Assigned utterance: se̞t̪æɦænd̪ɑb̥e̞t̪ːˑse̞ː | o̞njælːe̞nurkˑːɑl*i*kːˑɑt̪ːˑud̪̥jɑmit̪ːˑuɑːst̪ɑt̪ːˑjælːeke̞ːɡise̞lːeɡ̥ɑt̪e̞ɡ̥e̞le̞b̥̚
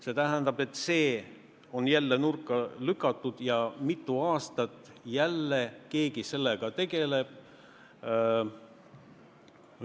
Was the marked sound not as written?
yes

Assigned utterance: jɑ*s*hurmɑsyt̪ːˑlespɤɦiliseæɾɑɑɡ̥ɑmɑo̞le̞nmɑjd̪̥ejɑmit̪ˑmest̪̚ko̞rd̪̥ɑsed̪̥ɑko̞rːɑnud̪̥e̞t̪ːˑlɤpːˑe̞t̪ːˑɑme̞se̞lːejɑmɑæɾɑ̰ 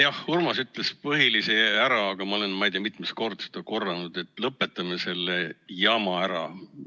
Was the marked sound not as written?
yes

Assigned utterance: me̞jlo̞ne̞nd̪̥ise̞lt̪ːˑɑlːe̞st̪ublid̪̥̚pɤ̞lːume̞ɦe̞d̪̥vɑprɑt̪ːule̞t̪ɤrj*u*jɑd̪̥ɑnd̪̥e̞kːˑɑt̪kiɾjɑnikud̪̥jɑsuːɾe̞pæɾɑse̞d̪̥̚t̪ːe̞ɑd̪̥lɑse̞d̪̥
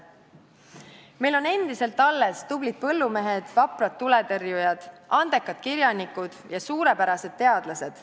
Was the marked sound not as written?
no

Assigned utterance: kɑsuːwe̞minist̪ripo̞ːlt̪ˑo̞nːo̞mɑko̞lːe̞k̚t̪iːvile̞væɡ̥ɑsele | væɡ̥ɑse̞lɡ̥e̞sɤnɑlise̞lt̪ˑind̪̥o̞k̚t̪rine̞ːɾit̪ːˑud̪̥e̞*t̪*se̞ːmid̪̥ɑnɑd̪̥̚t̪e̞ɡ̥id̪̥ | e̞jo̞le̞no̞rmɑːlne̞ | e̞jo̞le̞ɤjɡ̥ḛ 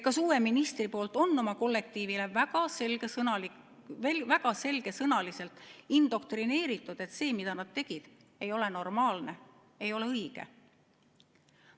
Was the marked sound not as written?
no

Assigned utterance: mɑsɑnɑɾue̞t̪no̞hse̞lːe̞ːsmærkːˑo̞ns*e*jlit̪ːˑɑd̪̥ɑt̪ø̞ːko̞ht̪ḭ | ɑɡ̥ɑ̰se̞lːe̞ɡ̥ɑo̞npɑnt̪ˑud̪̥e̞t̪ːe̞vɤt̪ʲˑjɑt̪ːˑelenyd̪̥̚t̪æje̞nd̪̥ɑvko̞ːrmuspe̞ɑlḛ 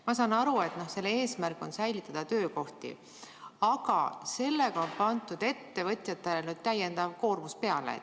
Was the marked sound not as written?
yes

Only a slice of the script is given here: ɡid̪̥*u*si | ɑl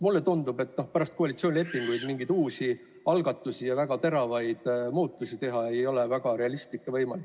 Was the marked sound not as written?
yes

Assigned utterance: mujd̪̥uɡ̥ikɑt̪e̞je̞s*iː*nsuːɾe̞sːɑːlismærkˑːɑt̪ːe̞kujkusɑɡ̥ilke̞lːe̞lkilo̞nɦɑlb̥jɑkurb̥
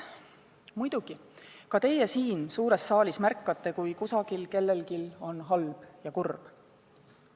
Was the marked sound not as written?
no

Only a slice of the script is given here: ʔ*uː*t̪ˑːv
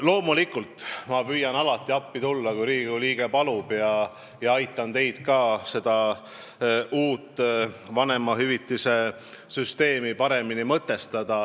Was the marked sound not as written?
no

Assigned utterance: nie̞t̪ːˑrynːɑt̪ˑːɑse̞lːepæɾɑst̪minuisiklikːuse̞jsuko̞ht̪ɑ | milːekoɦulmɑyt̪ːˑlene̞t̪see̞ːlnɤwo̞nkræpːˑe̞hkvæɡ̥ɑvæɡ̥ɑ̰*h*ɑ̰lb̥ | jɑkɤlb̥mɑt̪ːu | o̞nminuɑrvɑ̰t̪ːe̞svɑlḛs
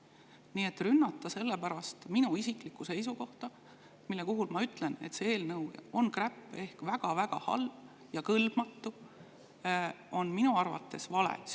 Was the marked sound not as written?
no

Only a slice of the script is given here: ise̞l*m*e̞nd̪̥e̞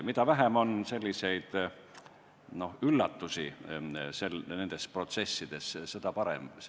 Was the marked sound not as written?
yes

